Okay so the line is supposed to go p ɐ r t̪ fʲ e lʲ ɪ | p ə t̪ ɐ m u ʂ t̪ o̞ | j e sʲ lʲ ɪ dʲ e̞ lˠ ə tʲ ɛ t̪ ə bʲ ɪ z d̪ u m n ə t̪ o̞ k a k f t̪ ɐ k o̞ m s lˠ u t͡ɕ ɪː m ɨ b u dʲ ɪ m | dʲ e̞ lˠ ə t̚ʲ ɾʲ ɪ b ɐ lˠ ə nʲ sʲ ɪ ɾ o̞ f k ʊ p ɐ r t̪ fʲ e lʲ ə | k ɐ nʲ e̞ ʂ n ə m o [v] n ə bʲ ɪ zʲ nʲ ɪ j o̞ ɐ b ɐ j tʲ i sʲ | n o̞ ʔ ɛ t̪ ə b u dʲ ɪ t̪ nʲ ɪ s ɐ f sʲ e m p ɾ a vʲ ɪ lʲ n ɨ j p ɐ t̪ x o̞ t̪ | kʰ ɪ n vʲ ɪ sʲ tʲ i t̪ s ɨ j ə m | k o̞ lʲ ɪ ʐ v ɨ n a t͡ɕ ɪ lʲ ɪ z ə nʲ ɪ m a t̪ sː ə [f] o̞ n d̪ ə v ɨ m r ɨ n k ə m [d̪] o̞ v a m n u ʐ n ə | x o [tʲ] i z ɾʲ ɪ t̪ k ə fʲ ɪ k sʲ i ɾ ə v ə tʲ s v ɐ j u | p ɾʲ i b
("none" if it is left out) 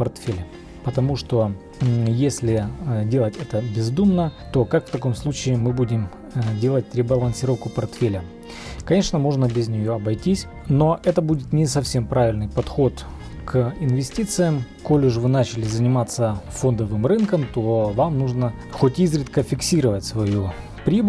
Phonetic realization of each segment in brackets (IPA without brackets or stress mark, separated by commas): ʐ, f, t̪, tʲ